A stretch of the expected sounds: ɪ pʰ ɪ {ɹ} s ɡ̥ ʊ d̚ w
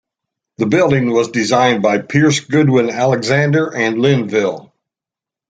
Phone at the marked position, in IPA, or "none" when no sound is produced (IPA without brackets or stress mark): ɹ